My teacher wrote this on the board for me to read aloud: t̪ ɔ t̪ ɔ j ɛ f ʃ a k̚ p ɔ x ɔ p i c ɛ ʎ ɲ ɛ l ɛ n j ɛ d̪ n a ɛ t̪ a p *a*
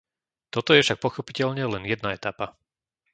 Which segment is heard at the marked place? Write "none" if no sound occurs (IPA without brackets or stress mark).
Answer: a